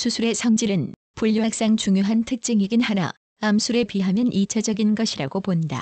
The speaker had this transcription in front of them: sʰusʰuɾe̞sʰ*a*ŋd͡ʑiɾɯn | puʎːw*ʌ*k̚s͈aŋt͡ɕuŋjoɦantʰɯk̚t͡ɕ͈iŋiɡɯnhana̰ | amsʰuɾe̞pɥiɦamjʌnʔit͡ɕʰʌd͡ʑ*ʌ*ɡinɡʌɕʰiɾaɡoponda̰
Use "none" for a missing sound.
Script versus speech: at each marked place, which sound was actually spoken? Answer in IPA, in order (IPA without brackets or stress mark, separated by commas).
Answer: ʌ, a, ʌ